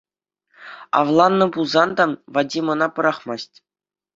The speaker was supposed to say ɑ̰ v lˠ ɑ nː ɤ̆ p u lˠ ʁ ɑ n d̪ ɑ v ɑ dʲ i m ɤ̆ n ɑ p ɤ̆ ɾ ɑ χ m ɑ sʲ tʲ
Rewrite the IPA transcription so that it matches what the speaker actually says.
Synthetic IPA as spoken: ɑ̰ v lˠ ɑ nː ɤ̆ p u lˠ z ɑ n d̪ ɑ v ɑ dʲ i m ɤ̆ n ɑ p ɤ̆ ɾ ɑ χ m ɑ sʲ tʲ